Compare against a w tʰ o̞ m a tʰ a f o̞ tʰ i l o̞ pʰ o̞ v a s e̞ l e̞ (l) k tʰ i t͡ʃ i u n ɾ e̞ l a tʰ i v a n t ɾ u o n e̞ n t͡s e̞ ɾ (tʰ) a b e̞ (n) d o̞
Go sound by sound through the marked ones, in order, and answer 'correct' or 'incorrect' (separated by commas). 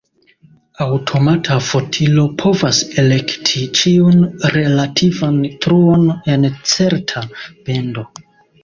incorrect, correct, correct